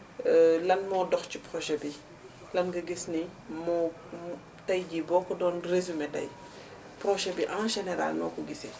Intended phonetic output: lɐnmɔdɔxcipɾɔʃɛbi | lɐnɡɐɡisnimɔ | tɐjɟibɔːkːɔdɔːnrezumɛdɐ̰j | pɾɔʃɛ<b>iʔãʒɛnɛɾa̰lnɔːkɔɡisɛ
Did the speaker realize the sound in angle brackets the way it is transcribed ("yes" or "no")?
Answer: yes